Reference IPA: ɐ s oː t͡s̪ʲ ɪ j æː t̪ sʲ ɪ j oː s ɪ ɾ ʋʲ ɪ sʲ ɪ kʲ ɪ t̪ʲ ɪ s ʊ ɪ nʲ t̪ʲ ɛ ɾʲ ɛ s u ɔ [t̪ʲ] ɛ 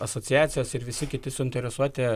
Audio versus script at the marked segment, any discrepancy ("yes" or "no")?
no